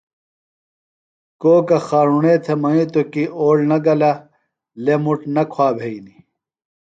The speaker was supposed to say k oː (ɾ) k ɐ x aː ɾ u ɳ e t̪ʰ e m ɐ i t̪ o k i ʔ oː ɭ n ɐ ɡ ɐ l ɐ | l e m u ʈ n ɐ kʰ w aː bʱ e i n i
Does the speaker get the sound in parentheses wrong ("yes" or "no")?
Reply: yes